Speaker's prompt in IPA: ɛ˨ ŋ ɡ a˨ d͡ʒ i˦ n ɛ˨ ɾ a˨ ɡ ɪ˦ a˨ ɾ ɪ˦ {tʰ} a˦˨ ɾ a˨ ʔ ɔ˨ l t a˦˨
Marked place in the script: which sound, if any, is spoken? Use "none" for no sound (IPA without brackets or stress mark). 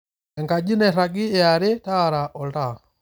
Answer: t